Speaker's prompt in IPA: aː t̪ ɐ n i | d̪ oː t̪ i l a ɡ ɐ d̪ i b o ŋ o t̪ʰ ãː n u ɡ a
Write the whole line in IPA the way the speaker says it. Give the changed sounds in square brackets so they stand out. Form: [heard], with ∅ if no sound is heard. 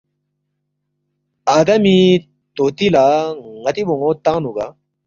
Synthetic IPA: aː [d̪] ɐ [m] i | [t̪] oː t̪ i l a [ŋ] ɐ [t̪] i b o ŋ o [t̪] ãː n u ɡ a